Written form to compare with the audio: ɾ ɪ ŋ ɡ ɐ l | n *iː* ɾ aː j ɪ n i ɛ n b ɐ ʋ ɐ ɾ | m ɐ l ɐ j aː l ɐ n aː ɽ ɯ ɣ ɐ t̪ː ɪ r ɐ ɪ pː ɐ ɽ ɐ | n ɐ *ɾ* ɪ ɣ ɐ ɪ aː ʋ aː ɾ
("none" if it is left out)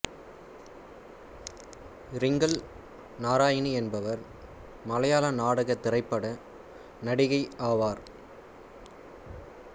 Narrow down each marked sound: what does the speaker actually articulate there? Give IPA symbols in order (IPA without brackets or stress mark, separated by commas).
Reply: aː, ɽ